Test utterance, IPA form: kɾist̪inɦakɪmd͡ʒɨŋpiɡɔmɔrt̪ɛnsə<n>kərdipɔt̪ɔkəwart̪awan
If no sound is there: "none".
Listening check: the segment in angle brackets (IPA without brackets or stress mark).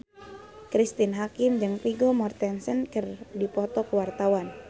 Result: n